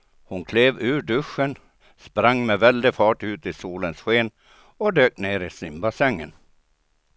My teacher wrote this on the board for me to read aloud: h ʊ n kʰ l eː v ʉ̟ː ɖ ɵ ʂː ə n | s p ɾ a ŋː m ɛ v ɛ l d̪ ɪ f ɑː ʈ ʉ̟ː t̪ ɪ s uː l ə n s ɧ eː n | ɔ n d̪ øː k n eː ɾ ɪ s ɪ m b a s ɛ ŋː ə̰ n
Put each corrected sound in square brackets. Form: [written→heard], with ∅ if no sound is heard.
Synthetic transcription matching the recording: h ʊ n kʰ l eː v ʉ̟ː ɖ ɵ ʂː ə n | s p ɾ a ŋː m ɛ v ɛ l d̪ ɪ f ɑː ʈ ʉ̟ː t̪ ɪ s uː l ə n s ɧ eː n | ɔ [n→∅] d̪ øː k n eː ɾ ɪ s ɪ m b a s ɛ ŋː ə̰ n

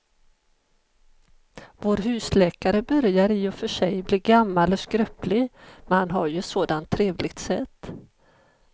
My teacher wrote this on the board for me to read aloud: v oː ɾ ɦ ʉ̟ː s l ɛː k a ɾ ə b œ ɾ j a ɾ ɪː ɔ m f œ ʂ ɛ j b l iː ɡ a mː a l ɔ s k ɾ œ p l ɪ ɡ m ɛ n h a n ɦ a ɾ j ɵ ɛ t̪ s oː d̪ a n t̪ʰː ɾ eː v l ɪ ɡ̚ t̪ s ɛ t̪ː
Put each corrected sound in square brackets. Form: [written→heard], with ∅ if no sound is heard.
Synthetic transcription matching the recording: v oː ɾ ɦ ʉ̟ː s l ɛː k a ɾ ə b œ ɾ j a ɾ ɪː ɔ [m→∅] f œ ʂ ɛ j b l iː ɡ a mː a l ɔ s k ɾ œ p l ɪ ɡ m ɛ n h a n ɦ a ɾ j ɵ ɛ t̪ s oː d̪ a n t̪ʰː ɾ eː v l ɪ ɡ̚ t̪ s ɛ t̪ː

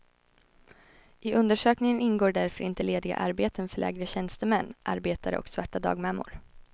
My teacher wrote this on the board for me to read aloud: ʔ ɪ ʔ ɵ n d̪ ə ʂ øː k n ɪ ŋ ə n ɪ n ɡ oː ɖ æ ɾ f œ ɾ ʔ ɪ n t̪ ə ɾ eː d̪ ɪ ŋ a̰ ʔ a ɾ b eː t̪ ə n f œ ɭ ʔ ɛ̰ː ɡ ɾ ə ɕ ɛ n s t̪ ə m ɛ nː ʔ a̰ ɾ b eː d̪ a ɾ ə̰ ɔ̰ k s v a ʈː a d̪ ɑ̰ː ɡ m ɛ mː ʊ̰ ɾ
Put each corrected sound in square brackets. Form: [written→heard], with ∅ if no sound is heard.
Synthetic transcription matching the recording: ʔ ɪ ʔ ɵ n d̪ ə ʂ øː k n ɪ ŋ ə n ɪ n ɡ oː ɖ æ ɾ f œ ɾ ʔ ɪ n t̪ ə [ɾ→l] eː d̪ ɪ [ŋ→ɡ] a̰ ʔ a ɾ b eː t̪ ə n f œ ɭ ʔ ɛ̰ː ɡ ɾ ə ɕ ɛ n s t̪ ə m ɛ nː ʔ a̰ ɾ b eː [d̪→t̪] a ɾ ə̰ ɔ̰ k s v a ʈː a d̪ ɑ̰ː ɡ m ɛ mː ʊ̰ ɾ

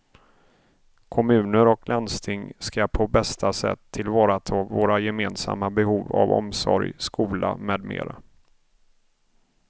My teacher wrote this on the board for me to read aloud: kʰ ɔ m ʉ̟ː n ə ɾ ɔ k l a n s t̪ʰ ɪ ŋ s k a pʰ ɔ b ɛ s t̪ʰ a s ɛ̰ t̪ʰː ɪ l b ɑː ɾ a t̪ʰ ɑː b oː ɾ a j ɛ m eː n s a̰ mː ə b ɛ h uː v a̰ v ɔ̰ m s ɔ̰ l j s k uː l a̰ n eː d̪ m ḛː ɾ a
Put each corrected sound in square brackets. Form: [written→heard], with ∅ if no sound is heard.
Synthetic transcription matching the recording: kʰ ɔ m ʉ̟ː n ə ɾ ɔ k l a n s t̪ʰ ɪ ŋ s k a pʰ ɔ b ɛ s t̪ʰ a s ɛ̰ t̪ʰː ɪ l [b→v] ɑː ɾ a t̪ʰ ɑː [b→v] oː ɾ a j ɛ m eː n s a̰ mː [ə→a] b ɛ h uː v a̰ v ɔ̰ m s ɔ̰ [l→ɾ] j s k uː l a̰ [n→m] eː d̪ m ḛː ɾ a

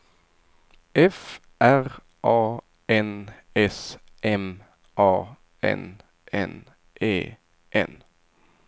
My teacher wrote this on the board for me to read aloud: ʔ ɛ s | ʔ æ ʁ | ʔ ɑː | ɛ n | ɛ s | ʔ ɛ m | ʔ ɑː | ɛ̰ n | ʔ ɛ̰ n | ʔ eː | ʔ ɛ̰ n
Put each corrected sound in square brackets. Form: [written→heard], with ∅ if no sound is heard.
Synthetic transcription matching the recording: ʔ ɛ [s→f] | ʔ æ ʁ | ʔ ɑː | ɛ n | ɛ s | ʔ ɛ m | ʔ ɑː | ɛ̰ n | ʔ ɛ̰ n | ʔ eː | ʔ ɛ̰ n

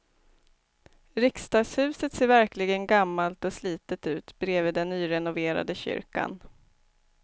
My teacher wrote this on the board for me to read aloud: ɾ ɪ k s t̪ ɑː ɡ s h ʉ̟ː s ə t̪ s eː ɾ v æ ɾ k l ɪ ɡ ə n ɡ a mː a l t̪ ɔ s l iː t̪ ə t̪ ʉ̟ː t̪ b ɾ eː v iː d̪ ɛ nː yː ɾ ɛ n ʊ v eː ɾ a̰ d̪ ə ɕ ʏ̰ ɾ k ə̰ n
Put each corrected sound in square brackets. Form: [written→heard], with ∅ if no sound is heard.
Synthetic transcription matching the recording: ɾ ɪ k s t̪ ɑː ɡ s h ʉ̟ː s ə t̪ s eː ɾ v æ ɾ k l ɪ ɡ ə n ɡ a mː a l t̪ ɔ s l iː t̪ ə t̪ ʉ̟ː t̪ b ɾ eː v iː d̪ ɛ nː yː ɾ ɛ n ʊ v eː ɾ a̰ d̪ ə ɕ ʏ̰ ɾ k [ə̰→a̰] n

